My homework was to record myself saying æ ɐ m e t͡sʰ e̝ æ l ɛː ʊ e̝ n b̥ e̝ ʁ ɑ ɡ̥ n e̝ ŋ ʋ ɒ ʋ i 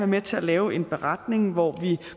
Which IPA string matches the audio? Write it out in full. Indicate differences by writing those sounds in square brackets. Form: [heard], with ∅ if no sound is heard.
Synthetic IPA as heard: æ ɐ m e t͡sʰ e̝ æ l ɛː ʊ e̝ n b̥ e̝ ʁ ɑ [d̥] n e̝ ŋ ʋ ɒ ʋ i